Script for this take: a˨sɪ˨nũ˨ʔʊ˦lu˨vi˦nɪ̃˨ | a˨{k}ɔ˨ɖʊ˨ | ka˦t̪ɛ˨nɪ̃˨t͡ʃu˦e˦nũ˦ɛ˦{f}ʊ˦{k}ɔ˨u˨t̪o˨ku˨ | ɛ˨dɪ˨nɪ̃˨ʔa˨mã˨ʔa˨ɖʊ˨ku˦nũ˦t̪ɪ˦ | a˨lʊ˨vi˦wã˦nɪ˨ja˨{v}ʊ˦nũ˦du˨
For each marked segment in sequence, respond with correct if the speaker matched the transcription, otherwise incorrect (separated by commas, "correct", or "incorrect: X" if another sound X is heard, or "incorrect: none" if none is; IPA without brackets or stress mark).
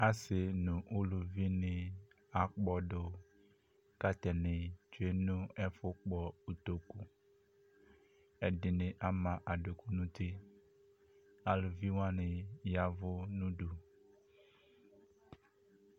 incorrect: k͡p, correct, incorrect: k͡p, correct